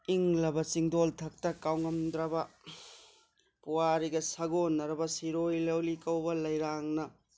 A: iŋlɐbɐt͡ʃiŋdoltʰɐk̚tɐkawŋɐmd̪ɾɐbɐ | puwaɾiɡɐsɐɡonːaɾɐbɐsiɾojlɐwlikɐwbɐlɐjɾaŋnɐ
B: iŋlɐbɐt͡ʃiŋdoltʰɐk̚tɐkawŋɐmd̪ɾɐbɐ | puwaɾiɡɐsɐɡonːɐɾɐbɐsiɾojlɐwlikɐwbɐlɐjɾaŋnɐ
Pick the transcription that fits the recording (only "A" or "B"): B